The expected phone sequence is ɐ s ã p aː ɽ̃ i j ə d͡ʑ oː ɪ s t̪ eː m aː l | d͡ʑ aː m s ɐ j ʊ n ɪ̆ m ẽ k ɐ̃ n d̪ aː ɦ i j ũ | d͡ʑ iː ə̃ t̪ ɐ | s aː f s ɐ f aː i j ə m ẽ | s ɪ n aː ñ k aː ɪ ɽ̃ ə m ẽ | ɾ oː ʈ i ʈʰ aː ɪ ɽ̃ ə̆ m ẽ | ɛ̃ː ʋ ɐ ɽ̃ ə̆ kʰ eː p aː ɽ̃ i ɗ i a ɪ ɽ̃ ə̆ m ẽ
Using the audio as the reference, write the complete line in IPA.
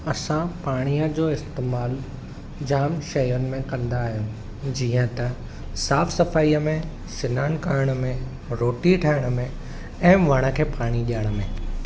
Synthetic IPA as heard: ɐ s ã p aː ɽ̃ i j ə d͡ʑ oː ɪ s t̪ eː m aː l | d͡ʑ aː m ʃ ɐ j ʊ n ɪ̆ m ẽ k ɐ̃ n d̪ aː ɦ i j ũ | d͡ʑ iː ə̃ t̪ ɐ | s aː f s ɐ f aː i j ə m ẽ | s ɪ n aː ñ k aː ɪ ɽ̃ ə m ẽ | ɾ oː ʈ i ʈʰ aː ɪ ɽ̃ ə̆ m ẽ | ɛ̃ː ʋ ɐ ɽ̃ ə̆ kʰ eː p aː ɽ̃ i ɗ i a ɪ ɽ̃ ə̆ m ẽ